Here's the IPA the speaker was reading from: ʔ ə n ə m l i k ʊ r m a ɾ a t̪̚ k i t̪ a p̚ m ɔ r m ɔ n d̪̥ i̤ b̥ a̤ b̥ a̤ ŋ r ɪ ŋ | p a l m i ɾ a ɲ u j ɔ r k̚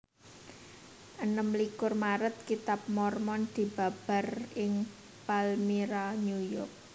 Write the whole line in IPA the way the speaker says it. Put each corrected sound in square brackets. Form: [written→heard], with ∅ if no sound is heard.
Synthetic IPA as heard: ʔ ə n ə m l i k ʊ r m a ɾ [a→ə] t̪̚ k i t̪ a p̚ m ɔ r m ɔ n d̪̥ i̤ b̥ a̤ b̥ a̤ [ŋ→∅] r ɪ ŋ | p a l m i ɾ a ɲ u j ɔ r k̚